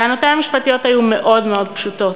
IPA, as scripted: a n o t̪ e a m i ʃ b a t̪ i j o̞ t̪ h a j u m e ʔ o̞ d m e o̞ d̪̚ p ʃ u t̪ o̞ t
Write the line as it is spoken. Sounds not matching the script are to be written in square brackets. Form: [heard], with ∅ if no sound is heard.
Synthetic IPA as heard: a n o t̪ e a m i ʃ [p] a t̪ i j o̞ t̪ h a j u m e ʔ o̞ d m e o̞ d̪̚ p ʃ u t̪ o̞ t